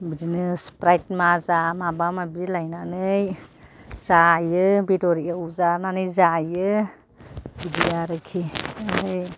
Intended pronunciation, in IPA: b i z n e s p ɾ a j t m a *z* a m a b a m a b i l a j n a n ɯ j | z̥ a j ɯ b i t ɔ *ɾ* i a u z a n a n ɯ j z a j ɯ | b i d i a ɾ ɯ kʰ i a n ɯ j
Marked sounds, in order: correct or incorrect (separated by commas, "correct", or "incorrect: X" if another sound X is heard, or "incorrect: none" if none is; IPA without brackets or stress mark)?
correct, correct